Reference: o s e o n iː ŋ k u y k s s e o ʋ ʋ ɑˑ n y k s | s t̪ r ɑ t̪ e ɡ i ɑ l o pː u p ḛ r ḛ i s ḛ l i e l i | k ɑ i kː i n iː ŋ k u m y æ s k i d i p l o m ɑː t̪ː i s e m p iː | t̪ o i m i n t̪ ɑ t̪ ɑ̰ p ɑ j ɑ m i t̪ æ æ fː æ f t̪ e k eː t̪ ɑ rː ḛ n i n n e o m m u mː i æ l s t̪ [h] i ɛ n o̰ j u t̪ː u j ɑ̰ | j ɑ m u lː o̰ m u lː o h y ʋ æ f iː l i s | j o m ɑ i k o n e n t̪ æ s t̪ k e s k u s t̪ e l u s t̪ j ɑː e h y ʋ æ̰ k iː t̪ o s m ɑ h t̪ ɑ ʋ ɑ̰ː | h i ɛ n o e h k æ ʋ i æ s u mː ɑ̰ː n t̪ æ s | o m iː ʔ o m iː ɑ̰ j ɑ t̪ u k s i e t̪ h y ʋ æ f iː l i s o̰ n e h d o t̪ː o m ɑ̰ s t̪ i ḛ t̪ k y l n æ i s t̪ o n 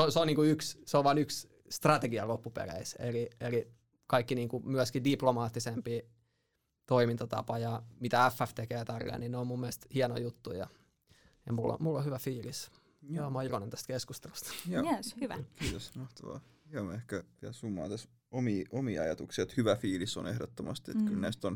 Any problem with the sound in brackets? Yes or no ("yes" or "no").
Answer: no